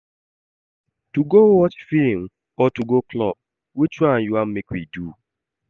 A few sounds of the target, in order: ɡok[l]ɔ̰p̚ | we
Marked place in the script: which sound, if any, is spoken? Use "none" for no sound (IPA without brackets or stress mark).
l